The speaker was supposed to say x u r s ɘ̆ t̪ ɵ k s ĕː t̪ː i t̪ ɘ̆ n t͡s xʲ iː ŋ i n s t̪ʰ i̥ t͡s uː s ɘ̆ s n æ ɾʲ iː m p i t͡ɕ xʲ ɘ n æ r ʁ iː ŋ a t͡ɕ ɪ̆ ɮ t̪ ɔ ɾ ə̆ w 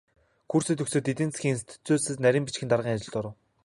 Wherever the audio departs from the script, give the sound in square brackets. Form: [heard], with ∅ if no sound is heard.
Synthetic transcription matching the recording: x u r s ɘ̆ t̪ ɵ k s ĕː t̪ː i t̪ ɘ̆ n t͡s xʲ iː ŋ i n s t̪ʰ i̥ t͡s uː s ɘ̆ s n æ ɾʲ iː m p i t͡ɕ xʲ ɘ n [a] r ʁ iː ŋ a t͡ɕ ɪ̆ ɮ t̪ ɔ ɾ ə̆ w